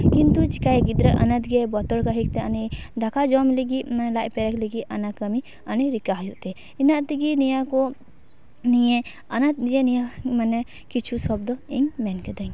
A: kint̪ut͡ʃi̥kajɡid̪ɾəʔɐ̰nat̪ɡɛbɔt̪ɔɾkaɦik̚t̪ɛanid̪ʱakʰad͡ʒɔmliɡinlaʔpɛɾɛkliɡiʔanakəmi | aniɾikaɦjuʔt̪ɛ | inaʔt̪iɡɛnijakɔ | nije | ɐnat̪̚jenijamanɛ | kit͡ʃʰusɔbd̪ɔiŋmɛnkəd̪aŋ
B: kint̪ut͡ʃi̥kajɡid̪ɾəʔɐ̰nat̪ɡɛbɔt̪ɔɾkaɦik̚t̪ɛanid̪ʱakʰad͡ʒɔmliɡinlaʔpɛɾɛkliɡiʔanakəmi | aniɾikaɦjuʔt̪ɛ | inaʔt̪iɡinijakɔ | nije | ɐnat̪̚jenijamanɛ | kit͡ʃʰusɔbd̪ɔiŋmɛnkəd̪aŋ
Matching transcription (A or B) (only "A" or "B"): B